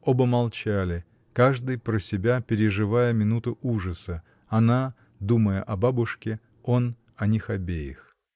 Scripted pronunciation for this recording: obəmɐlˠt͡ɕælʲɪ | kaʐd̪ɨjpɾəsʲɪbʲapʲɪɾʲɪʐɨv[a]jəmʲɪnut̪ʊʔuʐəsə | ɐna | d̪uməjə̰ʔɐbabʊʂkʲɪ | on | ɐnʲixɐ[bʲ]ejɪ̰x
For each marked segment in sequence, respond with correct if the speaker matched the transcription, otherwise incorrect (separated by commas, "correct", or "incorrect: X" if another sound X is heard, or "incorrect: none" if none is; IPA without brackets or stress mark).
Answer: correct, correct